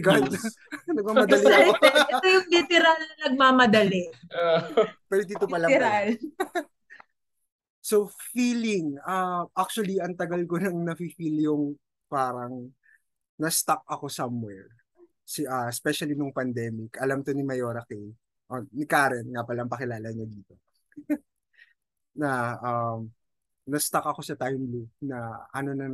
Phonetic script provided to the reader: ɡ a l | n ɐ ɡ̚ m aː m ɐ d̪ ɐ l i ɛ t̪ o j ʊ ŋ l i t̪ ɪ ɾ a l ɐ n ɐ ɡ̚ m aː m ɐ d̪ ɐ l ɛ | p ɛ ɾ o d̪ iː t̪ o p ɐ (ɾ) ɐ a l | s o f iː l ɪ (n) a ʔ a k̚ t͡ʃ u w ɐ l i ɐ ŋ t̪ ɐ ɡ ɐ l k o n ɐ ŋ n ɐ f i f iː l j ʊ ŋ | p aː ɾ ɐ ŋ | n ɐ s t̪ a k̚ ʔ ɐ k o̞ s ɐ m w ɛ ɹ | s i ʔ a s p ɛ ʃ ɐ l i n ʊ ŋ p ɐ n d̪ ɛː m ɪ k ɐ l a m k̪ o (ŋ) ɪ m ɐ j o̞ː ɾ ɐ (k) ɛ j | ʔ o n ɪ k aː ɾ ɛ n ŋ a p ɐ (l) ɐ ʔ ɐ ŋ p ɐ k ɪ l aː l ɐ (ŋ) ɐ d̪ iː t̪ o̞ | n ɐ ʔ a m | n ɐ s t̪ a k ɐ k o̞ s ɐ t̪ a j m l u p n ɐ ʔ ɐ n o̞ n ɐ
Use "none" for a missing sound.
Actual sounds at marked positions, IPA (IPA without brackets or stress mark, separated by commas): l, ŋ, n, k, l, ɲ